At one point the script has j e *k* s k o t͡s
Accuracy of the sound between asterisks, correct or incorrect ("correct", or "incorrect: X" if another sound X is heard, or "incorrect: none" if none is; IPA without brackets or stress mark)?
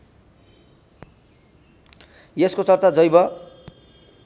incorrect: none